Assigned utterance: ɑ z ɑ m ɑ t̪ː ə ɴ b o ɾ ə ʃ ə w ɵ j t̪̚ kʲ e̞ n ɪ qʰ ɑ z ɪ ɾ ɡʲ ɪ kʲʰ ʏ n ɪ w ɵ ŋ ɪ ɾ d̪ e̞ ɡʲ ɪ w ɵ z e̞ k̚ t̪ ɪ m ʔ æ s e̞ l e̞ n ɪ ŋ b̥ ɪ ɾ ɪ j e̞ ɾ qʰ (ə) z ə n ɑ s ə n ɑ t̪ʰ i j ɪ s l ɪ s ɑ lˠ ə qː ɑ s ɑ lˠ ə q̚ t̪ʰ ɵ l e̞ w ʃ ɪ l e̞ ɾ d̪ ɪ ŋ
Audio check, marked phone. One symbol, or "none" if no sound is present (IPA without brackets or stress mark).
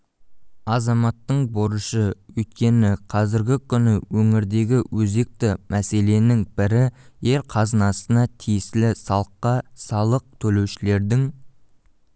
ɑ